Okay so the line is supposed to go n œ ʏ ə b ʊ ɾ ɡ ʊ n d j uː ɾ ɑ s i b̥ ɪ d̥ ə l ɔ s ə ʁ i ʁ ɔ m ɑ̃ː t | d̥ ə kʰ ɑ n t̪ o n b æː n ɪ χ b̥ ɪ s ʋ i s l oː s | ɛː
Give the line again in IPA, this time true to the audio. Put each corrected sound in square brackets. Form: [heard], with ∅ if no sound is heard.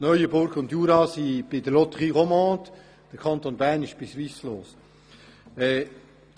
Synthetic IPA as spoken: n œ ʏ ə b ʊ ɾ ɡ ʊ n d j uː ɾ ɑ s i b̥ ɪ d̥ ə l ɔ [t] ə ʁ i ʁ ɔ m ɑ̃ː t | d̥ ə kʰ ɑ n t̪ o n b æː n ɪ [ʃ] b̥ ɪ s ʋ i s l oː s | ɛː